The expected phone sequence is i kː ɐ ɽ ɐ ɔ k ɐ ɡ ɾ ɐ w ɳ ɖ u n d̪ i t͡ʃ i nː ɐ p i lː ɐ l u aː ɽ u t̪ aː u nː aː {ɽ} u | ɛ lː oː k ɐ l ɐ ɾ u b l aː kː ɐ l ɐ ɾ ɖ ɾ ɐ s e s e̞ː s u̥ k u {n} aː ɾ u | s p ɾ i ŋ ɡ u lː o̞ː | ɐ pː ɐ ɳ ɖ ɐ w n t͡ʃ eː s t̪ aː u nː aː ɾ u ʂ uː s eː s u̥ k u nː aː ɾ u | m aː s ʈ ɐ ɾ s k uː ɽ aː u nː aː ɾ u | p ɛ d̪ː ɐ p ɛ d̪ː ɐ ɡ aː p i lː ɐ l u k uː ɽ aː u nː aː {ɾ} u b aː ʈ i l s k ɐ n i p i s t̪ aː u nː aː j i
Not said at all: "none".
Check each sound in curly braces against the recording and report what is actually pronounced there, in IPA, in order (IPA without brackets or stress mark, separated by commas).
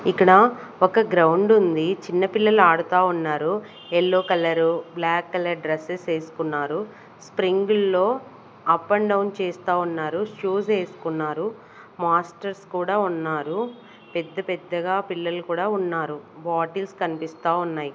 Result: ɾ, nː, ɾ